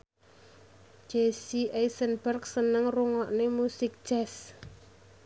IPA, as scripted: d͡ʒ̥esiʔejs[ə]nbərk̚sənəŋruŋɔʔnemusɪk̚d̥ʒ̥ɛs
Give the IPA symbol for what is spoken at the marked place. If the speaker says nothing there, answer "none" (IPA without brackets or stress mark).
ə